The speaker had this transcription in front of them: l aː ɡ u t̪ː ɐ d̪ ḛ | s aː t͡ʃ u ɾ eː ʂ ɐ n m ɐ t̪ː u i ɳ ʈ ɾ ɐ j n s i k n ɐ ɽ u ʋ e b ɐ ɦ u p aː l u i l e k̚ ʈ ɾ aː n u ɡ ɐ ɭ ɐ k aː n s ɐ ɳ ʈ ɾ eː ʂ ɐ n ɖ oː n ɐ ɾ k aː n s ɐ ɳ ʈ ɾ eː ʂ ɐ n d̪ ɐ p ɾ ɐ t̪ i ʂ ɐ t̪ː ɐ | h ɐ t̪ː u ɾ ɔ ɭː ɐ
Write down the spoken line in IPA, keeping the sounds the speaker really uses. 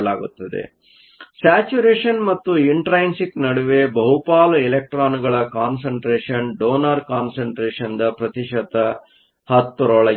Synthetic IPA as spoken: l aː ɡ u t̪ː ɐ d̪ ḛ | s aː t͡ʃ u ɾ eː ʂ ɐ n m ɐ t̪ː u i ɳ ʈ ɾ ɐ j n s i k n ɐ ɽ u ʋ e b ɐ ɦ u p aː l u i l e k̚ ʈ ɾ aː n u ɡ ɐ ɭ ɐ k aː n s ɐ ɳ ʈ ɾ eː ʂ ɐ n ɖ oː n ɐ ɾ k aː n s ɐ ɳ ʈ ɾ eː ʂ ɐ n d̪ ɐ p ɾ ɐ t̪ i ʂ ɐ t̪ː ɐ | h ɐ t̪ː u ɾ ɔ ɭ ɐ